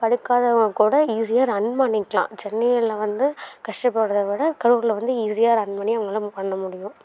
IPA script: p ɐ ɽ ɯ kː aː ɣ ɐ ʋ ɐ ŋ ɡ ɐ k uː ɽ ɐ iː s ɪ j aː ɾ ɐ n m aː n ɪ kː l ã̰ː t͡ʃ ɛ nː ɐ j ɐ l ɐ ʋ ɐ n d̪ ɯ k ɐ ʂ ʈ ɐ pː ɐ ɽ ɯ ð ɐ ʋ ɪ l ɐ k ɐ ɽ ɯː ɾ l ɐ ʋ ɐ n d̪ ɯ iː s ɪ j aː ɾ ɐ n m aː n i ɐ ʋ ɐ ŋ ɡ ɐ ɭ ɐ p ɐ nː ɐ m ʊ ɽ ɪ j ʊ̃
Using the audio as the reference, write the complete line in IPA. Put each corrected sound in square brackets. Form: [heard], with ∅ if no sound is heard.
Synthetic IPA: p ɐ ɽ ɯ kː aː [ð] ɐ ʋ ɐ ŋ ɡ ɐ k uː ɽ ɐ iː s ɪ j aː ɾ ɐ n m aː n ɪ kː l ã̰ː t͡ʃ ɛ nː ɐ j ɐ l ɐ ʋ ɐ n d̪ ɯ k ɐ ʂ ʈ ɐ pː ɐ ɽ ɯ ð ɐ ʋ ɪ [ɽ] ɐ k ɐ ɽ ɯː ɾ l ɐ ʋ ɐ n d̪ ɯ iː s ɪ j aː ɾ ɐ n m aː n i ɐ ʋ ɐ ŋ ɡ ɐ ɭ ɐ p ɐ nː ɐ m ʊ ɽ ɪ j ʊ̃